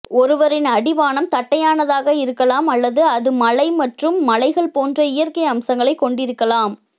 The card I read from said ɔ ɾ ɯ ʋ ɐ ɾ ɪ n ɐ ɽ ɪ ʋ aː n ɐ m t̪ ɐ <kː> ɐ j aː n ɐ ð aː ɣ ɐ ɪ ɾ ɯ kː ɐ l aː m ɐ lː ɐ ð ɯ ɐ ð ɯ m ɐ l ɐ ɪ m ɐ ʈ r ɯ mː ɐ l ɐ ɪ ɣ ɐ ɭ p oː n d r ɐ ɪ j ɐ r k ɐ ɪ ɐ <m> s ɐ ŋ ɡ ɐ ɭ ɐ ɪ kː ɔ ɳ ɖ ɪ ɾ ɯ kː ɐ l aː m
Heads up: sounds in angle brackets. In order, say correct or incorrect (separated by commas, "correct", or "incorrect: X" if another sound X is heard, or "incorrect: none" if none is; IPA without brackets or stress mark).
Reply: incorrect: ʈː, correct